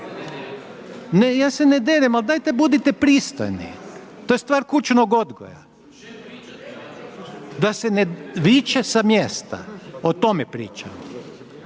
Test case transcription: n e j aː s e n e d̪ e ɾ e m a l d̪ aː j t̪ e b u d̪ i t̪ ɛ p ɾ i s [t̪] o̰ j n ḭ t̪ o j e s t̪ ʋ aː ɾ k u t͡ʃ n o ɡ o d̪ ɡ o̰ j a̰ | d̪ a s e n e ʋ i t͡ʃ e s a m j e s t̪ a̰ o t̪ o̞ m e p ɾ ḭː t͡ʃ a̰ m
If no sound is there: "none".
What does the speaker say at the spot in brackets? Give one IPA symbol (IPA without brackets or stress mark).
t̪